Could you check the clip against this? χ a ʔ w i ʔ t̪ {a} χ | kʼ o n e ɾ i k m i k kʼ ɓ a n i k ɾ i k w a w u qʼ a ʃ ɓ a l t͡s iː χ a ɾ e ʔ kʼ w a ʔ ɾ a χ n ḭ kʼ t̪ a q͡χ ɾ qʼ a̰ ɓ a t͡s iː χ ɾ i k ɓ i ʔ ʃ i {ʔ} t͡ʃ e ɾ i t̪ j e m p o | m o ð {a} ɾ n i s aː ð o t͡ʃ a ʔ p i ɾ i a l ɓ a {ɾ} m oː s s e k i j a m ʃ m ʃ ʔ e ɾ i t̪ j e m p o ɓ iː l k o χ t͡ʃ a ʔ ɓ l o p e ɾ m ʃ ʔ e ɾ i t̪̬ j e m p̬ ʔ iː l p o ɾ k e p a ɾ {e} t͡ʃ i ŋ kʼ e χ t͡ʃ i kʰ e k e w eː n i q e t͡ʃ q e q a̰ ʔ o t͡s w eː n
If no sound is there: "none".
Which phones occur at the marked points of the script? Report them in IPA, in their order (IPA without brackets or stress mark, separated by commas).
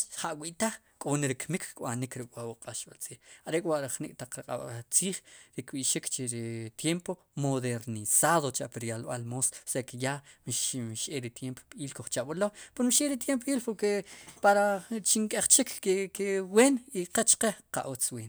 a, k, e, l, a